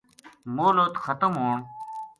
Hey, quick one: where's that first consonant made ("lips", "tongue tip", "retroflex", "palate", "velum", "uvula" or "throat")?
lips